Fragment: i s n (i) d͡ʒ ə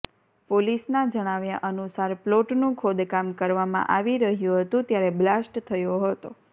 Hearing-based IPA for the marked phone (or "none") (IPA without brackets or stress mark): a